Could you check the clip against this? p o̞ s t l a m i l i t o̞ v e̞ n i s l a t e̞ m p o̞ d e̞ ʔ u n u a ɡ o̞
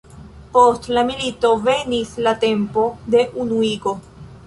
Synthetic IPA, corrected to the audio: p o̞ s t l a m i l i t o̞ v e̞ n i s l a t e̞ m p o̞ d e̞ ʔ u n u i ɡ o̞